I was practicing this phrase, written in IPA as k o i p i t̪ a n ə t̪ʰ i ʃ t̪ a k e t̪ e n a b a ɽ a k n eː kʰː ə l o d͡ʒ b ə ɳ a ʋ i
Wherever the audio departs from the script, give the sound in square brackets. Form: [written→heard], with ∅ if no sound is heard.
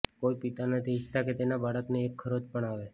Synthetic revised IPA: k o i p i t̪ a n ə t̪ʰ i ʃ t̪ a k e t̪ e n a b a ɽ [a→ə] k n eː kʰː ə [l→ɾ] o d͡ʒ [b→p] ə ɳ a ʋ [i→e]